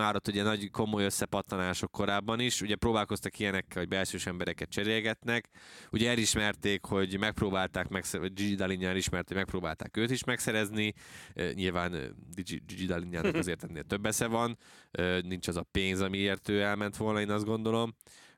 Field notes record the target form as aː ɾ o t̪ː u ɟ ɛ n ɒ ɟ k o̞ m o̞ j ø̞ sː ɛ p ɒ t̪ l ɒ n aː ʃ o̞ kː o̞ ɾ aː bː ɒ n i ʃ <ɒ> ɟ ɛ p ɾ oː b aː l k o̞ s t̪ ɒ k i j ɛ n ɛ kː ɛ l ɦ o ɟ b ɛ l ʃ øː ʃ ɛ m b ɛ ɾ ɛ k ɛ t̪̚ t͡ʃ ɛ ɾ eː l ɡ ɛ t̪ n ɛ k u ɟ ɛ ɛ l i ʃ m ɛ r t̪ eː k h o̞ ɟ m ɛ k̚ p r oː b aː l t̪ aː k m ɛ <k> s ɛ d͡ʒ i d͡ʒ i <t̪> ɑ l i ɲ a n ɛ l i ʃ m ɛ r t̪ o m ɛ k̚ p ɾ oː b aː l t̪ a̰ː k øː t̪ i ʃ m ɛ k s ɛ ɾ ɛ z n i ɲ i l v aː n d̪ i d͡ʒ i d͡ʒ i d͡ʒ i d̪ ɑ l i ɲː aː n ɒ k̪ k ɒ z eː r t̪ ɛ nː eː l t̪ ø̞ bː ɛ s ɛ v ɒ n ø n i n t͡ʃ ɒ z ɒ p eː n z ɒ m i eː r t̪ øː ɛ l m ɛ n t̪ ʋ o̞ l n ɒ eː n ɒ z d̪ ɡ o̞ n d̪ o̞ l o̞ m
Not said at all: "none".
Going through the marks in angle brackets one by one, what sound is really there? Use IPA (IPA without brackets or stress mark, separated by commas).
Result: u, k, d̪